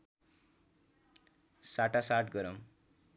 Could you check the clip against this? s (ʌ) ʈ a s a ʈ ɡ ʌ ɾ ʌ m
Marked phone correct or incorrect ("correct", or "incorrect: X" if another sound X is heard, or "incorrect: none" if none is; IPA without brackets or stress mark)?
incorrect: a